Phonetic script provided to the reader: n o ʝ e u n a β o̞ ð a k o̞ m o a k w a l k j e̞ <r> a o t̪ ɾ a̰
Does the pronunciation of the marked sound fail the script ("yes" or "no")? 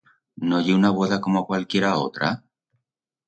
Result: yes